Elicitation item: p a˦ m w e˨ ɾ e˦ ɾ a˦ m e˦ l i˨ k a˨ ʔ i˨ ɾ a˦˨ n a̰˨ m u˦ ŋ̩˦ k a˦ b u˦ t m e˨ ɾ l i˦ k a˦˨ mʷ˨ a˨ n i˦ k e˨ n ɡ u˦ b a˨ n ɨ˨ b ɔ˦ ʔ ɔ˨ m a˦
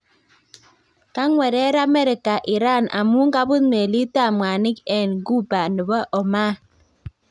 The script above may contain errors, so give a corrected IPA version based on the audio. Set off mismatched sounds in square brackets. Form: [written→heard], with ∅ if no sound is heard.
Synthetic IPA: [p→k] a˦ [m→ŋ] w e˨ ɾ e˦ ɾ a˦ m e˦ [l→ɾ] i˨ k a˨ ʔ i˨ ɾ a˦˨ n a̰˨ m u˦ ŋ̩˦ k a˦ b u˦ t m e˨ [ɾ→∅] l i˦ [k→t] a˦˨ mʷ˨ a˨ n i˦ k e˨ n ɡ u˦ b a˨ n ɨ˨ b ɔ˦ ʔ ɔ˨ m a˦